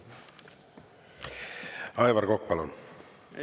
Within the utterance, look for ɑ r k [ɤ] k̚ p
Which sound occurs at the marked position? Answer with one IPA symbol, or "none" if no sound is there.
o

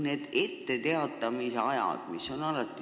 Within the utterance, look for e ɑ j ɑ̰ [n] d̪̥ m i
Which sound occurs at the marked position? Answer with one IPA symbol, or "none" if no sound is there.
none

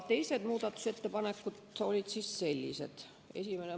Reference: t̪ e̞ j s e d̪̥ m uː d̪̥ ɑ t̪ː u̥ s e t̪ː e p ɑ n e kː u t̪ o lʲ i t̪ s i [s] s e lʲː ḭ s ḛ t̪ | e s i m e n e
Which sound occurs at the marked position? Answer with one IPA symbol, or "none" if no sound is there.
s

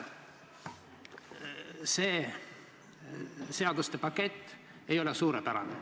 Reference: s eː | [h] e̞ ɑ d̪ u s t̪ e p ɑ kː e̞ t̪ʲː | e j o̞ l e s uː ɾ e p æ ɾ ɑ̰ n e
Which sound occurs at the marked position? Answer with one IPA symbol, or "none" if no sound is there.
s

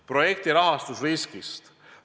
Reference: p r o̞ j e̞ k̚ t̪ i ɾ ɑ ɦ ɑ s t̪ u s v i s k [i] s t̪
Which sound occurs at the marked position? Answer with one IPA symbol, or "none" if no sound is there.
i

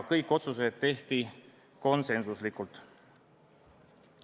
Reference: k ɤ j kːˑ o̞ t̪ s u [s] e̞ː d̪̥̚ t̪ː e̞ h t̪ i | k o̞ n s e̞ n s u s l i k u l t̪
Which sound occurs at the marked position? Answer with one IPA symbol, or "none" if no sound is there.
s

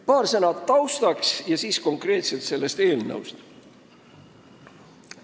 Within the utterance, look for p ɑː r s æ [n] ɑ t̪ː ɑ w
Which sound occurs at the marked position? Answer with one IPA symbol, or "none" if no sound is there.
n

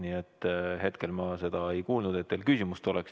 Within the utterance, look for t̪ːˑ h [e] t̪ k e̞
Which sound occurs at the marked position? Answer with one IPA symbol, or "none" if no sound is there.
e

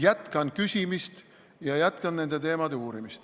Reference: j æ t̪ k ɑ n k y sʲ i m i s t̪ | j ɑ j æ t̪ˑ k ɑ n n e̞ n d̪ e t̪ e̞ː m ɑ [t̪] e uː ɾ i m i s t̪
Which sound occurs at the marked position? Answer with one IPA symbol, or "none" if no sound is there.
d̪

